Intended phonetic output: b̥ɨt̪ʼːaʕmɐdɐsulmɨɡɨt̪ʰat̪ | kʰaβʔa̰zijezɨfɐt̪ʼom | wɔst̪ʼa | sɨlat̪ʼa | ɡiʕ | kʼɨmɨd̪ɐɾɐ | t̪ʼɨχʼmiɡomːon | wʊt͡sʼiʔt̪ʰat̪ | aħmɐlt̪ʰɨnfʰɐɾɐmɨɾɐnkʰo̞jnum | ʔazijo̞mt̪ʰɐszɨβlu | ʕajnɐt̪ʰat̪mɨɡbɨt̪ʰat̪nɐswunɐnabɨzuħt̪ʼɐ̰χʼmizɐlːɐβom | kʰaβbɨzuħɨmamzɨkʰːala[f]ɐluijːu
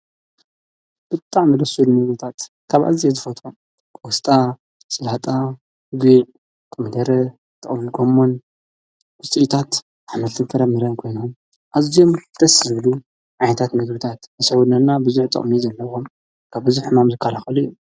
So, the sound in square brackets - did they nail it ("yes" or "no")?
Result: no